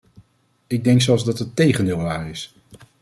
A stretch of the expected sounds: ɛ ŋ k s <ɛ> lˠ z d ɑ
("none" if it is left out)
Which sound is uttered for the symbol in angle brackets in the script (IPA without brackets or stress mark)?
ɛ